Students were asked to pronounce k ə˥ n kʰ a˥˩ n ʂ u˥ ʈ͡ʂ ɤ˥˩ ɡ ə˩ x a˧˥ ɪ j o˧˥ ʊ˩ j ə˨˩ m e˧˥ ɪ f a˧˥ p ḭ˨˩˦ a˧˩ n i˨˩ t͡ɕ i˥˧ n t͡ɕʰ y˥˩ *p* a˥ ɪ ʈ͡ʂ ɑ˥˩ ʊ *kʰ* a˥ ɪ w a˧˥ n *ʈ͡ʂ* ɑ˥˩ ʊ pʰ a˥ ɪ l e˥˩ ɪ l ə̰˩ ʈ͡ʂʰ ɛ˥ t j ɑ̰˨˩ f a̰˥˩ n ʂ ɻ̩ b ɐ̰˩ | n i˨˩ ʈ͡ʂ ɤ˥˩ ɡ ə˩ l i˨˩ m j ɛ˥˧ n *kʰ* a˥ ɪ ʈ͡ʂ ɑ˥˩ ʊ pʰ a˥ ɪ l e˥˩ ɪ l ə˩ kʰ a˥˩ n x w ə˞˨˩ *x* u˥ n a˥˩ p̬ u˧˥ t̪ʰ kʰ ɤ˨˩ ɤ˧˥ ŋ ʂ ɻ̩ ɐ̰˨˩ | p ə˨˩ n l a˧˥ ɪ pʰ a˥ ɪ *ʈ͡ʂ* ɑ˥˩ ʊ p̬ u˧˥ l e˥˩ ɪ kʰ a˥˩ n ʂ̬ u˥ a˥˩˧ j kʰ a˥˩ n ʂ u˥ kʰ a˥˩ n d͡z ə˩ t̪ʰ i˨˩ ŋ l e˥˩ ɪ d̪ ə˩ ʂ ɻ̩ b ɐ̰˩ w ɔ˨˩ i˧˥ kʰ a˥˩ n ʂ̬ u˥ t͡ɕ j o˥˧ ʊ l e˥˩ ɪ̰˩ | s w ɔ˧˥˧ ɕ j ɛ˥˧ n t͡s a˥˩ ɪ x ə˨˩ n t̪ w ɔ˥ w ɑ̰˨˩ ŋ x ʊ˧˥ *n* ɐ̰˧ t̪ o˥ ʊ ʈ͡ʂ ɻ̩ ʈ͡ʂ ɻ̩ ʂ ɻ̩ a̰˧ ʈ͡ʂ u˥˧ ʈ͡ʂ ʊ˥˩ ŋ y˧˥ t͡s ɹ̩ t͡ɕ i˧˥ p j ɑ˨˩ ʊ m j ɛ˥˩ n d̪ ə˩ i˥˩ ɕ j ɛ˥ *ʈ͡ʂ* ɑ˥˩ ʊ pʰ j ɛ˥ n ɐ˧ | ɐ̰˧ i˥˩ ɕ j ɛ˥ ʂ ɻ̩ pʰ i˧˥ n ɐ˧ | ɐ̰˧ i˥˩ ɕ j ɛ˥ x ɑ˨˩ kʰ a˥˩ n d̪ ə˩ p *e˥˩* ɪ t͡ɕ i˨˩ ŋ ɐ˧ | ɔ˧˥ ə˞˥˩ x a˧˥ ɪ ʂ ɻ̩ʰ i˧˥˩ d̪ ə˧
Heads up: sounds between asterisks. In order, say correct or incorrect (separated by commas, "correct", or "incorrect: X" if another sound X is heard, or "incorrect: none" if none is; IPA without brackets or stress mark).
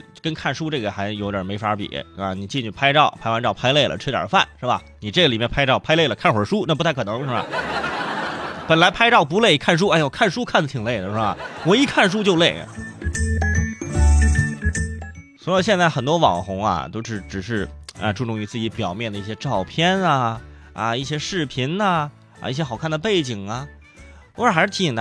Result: incorrect: pʰ, incorrect: pʰ, correct, incorrect: pʰ, incorrect: ʂ, correct, incorrect: ŋ, correct, correct